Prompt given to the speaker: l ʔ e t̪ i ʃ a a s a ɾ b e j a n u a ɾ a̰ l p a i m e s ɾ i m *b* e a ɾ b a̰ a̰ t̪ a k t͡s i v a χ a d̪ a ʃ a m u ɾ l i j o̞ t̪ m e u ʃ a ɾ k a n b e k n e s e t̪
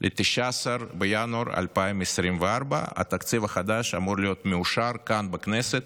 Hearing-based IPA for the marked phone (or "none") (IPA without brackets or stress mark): v